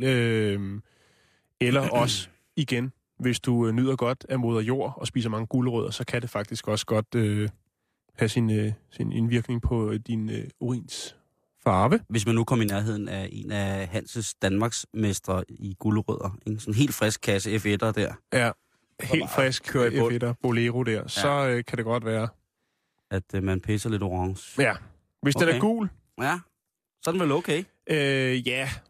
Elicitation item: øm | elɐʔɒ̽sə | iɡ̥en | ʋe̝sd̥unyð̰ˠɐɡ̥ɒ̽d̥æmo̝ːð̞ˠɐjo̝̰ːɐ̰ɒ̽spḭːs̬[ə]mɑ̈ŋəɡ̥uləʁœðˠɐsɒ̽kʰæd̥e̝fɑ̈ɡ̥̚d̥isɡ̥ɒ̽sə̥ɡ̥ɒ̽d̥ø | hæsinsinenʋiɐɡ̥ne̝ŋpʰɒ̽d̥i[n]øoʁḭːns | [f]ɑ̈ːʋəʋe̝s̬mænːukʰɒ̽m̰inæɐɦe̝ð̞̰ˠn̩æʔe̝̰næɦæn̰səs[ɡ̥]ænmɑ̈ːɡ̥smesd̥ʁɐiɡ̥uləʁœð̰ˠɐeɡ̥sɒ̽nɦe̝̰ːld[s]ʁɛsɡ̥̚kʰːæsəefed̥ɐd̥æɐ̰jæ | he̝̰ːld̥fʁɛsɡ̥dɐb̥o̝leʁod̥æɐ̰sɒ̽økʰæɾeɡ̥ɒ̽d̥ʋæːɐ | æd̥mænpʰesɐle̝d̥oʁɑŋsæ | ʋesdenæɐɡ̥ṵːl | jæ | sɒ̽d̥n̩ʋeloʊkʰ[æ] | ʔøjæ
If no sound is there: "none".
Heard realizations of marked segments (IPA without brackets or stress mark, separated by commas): ɐ, n, f, d̥, f, e